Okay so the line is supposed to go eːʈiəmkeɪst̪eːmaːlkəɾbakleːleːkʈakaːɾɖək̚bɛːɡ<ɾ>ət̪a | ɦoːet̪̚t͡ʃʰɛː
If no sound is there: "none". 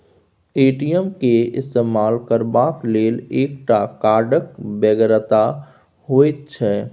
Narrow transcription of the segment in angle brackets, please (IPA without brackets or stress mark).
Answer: ɾ